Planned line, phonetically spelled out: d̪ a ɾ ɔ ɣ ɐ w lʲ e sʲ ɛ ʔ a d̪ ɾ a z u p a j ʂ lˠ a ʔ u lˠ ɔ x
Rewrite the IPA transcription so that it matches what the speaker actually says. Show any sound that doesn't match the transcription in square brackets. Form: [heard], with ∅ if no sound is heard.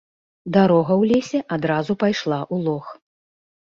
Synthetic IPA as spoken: d̪ a ɾ ɔ ɣ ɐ w lʲ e sʲ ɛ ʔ a d̪ ɾ a z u p a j ʂ lˠ a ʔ u lˠ ɔ x

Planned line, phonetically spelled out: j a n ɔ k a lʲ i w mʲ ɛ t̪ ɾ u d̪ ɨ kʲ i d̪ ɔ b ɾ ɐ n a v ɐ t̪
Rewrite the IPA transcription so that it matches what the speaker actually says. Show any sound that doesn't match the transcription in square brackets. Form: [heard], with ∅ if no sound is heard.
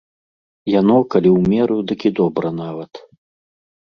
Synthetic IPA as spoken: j a n ɔ k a lʲ i w mʲ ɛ [∅] ɾ u d̪ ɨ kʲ i d̪ ɔ b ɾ ɐ n a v ɐ t̪

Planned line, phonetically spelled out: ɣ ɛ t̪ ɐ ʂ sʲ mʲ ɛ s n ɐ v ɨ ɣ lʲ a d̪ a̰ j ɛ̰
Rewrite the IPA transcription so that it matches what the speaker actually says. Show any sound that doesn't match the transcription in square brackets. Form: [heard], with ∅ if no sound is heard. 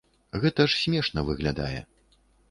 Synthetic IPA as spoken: ɣ ɛ t̪ ɐ ʂ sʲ mʲ ɛ [ʂ] n ɐ v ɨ ɣ lʲ a d̪ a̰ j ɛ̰

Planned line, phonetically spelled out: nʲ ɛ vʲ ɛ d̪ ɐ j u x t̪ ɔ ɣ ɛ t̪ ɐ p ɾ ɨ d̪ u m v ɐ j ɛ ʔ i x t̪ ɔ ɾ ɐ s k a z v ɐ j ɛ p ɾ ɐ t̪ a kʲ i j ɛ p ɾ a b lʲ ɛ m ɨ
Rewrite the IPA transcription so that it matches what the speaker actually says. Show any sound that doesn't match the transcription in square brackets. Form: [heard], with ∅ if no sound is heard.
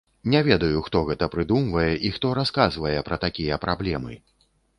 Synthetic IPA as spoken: nʲ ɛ vʲ ɛ d̪ ɐ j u x t̪ ɔ ɣ ɛ t̪ ɐ p ɾ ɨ d̪ u m v ɐ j ɛ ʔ i x t̪ ɔ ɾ [a] s k a z v ɐ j ɛ p ɾ ɐ t̪ a kʲ i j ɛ p ɾ a b lʲ ɛ m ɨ

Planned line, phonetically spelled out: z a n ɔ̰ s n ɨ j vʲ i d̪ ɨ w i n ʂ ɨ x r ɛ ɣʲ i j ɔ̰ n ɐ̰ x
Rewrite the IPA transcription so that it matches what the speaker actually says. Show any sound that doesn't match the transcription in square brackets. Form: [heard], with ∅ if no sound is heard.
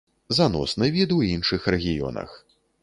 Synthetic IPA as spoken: z a n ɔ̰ s n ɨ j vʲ i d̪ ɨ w i n ʂ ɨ x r ɛ ɣʲ i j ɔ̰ n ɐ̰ x

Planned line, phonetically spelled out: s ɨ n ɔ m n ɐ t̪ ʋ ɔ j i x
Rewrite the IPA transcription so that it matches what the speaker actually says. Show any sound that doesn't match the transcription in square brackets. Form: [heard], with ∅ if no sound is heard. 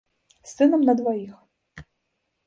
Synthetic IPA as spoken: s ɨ n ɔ m n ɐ [d̪] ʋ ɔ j i x

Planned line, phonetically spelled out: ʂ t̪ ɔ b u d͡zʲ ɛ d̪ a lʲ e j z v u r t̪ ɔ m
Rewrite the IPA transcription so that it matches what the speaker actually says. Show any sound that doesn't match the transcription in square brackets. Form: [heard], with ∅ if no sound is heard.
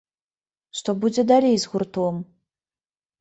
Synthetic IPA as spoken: ʂ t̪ ɔ b u d͡zʲ ɛ d̪ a lʲ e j z [ɣ] u r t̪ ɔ m

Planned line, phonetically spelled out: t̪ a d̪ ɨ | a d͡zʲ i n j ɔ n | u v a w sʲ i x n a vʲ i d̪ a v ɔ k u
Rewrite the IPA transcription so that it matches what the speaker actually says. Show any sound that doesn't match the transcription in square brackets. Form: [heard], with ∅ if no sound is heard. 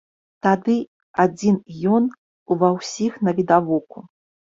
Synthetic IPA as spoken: t̪ a d̪ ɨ | a d͡zʲ i n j ɔ n | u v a w sʲ i x n [ɐ] vʲ i d̪ a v ɔ k u

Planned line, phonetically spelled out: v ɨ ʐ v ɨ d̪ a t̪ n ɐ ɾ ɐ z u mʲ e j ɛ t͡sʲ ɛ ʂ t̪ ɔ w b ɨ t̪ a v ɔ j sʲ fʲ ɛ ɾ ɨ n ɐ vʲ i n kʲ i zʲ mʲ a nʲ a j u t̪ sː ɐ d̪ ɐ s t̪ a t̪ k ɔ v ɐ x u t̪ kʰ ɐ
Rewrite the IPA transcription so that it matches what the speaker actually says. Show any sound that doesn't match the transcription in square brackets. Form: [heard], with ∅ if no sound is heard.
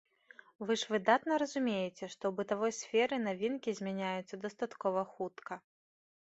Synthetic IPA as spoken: v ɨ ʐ v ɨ d̪ a t̪ n ɐ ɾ ɐ z u mʲ e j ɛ t͡sʲ ɛ ʂ t̪ ɔ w b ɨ t̪ a v ɔ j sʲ fʲ ɛ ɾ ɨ n [a] vʲ i n kʲ i zʲ mʲ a nʲ a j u t̪ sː ɐ d̪ ɐ s t̪ a t̪ k ɔ v ɐ x u t̪ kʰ ɐ

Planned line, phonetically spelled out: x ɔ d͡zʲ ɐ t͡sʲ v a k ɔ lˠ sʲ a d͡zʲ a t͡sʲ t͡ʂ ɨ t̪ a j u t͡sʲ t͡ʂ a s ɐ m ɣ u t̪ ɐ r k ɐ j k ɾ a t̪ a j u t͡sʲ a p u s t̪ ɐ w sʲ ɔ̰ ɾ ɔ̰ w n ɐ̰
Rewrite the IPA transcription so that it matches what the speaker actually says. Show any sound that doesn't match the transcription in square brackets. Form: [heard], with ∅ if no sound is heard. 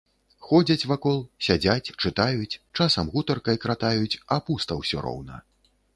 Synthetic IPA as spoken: x ɔ d͡zʲ ɐ t͡sʲ v a k ɔ lˠ sʲ a d͡zʲ a t͡sʲ t͡ʂ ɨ t̪ a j u t͡sʲ t͡ʂ a s ɐ m ɣ u t̪ ɐ r k ɐ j k ɾ a t̪ a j u t͡sʲ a p u s t̪ ɐ w sʲ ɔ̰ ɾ ɔ̰ w n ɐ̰

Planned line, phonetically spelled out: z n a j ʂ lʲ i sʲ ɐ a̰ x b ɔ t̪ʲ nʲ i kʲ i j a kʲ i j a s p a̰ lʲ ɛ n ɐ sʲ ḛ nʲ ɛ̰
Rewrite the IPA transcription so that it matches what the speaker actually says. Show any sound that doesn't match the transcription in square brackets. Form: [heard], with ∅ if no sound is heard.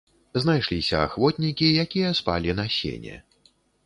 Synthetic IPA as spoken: z n a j ʂ lʲ i sʲ ɐ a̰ x [v] ɔ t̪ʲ nʲ i kʲ i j a kʲ i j [ɐ] s p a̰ lʲ [i] n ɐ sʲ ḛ nʲ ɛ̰

